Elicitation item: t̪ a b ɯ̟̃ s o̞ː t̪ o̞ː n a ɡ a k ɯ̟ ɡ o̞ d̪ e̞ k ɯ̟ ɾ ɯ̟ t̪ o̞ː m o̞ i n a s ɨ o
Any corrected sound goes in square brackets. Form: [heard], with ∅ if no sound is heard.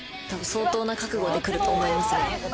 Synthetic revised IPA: t̪ a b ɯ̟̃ s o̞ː t̪ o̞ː n a [k] a k ɯ̟ ɡ o̞ d̪ e̞ k ɯ̟ ɾ ɯ̟ t̪ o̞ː m o̞ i [m] a s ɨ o